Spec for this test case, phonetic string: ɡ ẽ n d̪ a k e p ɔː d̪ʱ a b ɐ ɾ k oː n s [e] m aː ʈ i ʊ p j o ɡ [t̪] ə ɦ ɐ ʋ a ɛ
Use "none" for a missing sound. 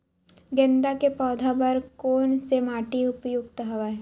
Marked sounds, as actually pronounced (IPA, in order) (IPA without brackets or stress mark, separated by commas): e, t̪